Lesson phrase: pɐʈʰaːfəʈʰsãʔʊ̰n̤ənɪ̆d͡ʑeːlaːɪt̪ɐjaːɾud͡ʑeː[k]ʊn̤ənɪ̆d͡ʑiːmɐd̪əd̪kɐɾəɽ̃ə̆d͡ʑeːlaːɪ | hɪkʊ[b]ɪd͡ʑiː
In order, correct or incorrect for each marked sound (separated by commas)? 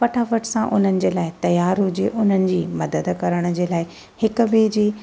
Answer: incorrect, correct